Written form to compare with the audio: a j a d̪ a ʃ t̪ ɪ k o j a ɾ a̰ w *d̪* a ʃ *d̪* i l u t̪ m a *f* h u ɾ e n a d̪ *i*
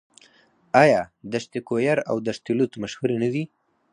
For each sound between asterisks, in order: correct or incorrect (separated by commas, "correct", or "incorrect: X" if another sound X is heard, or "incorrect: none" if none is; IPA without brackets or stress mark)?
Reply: correct, incorrect: t̪, incorrect: ʃ, correct